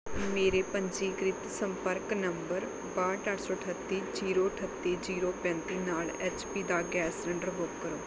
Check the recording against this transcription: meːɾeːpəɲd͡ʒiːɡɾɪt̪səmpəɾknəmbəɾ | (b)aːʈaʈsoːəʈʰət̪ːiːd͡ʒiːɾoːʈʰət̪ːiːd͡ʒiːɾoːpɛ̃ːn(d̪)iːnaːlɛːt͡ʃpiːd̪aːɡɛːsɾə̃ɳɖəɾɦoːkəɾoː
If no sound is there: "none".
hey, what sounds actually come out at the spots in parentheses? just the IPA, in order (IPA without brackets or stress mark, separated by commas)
b, t̪